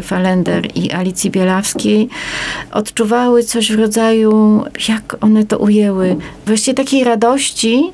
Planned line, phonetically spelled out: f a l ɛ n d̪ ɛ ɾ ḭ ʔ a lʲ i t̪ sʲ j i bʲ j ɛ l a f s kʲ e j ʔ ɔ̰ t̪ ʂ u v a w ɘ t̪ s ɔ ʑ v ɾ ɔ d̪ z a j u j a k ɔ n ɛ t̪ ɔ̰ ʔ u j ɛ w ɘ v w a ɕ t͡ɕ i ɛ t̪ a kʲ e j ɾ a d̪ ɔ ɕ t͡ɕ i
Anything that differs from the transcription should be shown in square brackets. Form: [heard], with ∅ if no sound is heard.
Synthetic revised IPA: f a l ɛ n d̪ ɛ ɾ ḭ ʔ a lʲ i t̪ sʲ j i bʲ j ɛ l a f s kʲ e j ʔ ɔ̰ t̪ [t͡ʂ] u v a w ɘ t̪ s ɔ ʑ v ɾ ɔ d̪ z a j u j a k ɔ n ɛ t̪ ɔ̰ ʔ u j ɛ w ɘ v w a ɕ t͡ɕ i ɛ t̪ a kʲ e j ɾ a d̪ ɔ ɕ t͡ɕ i